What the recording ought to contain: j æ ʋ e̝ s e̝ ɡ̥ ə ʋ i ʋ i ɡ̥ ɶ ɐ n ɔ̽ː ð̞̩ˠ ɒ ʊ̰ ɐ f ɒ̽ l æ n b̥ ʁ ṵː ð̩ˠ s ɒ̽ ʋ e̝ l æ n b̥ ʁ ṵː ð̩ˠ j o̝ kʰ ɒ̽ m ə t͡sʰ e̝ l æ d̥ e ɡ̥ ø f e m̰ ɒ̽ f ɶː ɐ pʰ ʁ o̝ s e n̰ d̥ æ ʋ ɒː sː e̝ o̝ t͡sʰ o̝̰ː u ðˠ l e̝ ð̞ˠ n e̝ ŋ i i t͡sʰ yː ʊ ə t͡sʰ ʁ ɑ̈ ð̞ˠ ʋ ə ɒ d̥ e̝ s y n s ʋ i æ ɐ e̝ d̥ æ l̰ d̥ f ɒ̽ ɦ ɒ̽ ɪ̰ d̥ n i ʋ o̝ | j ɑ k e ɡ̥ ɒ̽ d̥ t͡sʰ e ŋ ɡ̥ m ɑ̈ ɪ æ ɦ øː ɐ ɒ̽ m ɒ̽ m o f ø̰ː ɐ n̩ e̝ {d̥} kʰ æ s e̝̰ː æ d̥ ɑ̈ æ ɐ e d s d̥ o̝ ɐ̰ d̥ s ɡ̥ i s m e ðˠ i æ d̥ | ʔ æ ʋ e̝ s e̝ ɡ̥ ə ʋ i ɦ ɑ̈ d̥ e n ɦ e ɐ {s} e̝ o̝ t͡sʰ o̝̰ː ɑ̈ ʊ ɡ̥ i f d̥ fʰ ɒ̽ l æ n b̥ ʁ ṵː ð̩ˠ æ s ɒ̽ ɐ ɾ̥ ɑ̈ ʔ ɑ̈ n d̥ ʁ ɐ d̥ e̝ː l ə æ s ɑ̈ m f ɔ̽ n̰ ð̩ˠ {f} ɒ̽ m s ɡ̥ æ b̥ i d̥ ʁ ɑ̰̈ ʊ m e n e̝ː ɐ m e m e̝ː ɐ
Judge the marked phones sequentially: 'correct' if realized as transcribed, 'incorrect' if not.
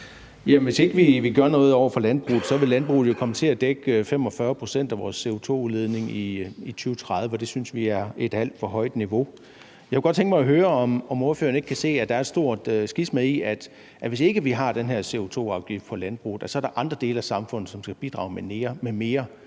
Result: incorrect, correct, incorrect

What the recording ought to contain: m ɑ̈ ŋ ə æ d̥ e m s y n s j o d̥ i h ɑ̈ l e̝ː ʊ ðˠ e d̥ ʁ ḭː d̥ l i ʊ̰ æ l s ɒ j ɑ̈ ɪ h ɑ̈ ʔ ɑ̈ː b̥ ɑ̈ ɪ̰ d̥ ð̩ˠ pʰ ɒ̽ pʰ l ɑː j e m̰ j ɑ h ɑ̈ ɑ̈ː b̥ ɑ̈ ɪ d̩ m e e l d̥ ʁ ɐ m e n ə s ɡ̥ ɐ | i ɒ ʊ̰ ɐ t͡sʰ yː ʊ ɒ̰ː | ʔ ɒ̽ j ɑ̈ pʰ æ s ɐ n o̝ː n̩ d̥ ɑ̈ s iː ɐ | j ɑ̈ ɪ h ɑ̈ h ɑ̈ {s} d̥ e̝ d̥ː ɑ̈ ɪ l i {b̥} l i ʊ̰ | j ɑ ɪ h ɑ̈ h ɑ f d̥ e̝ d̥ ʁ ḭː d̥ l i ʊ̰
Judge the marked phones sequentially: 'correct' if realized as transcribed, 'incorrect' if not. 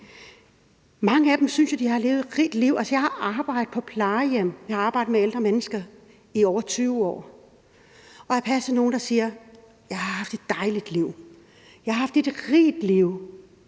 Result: incorrect, incorrect

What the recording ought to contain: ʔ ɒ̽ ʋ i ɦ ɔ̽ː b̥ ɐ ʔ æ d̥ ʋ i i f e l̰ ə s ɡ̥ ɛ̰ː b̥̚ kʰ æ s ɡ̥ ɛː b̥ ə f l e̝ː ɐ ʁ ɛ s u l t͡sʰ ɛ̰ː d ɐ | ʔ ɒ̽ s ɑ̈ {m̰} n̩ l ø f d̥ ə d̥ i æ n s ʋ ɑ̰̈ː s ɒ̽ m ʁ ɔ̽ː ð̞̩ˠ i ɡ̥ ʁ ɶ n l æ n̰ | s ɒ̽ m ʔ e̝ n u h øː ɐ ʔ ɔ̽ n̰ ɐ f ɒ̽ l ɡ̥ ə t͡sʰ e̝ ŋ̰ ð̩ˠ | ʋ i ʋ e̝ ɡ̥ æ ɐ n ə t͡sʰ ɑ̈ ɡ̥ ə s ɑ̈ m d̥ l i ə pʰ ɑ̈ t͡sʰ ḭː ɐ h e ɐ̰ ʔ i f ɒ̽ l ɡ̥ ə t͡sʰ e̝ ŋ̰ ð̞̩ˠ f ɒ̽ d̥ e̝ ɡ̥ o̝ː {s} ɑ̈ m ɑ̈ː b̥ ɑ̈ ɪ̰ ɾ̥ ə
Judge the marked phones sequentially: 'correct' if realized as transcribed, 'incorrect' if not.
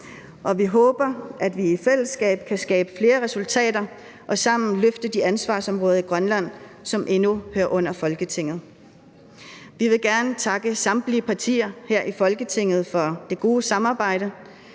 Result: correct, correct

